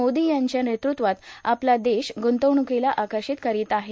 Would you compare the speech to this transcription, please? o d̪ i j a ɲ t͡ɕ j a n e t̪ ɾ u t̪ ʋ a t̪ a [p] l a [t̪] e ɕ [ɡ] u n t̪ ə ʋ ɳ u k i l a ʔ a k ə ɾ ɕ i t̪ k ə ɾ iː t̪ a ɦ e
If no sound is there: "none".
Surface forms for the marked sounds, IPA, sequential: p, d̪, ɡ

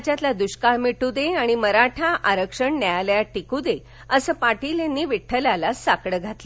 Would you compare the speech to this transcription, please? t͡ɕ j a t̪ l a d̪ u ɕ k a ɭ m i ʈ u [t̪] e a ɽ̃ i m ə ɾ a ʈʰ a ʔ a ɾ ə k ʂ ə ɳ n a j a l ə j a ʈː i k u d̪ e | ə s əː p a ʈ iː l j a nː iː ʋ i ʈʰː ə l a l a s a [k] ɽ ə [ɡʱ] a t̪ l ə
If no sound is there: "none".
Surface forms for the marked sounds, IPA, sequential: d̪, k, ɡʱ

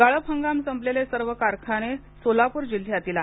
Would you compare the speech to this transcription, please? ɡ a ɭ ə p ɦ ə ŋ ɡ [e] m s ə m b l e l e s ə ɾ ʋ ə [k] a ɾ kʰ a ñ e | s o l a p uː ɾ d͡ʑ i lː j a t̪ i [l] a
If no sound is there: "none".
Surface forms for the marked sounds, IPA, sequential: a, k, l

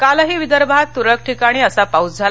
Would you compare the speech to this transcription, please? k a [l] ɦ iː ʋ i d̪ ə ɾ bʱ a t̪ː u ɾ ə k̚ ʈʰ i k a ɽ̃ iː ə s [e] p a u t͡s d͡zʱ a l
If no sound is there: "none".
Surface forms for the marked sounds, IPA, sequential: l, a

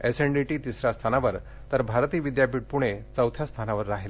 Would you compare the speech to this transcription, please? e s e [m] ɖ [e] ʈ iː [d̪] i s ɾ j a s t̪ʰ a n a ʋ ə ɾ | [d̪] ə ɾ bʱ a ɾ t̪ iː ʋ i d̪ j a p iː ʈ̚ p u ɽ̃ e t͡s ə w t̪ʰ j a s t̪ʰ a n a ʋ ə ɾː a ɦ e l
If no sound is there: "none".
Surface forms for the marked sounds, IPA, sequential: ɳ, i, t̪, t̪

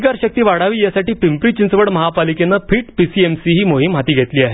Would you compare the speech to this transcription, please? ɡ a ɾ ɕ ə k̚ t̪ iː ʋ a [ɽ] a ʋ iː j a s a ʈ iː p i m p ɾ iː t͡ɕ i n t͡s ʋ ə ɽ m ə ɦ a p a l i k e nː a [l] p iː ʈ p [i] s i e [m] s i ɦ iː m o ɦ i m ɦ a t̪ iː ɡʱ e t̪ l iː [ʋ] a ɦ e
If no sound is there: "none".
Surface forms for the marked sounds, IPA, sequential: ɽ, none, i, m, none

